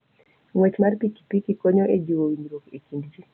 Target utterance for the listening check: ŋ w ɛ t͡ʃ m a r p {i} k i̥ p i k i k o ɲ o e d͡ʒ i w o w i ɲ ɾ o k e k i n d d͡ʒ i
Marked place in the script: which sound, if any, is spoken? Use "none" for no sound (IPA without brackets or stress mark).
i